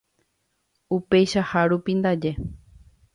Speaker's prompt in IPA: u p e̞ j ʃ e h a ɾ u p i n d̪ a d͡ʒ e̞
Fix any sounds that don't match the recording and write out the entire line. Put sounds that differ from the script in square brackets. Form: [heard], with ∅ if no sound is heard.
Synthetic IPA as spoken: u p e̞ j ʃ [a] h a ɾ u p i n d̪ a d͡ʒ e̞